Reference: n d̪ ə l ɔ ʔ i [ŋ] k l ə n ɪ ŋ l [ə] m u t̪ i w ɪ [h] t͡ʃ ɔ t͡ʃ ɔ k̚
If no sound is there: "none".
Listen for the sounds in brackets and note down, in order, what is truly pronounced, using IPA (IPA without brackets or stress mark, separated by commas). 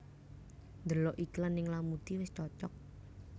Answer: none, a, s